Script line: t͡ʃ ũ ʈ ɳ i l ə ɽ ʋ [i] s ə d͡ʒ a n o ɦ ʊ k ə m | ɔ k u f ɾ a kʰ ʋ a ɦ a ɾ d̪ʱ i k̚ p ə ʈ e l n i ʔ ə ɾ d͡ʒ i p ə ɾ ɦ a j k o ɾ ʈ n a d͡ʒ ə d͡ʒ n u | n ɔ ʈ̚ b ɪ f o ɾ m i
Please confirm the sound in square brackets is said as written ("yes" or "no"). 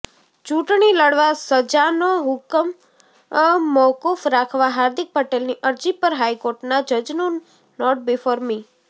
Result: no